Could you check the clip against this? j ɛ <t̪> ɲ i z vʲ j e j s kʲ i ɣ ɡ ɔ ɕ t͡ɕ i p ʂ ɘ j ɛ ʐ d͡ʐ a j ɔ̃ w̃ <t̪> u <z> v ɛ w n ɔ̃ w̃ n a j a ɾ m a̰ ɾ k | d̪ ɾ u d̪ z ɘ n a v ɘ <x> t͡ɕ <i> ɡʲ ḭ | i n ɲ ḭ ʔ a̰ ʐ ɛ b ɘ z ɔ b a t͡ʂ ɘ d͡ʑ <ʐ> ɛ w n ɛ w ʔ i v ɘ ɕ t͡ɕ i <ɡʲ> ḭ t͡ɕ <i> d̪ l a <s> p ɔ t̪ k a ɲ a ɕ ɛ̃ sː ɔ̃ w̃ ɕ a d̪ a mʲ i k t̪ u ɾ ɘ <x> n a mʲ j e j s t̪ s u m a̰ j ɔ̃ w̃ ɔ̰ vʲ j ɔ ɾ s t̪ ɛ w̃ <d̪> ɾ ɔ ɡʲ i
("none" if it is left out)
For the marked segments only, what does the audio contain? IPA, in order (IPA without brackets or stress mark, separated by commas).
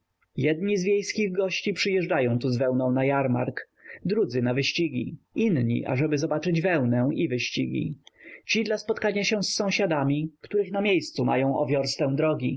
d̪, t̪, z, ɕ, i, v, ɡʲ, i, s, x, d̪